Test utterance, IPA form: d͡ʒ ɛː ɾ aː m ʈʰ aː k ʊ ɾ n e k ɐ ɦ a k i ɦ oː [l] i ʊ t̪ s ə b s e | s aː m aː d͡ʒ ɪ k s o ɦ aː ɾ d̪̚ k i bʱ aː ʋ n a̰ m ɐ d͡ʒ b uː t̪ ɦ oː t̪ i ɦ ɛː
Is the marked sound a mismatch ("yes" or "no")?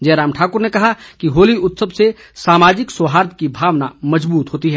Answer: no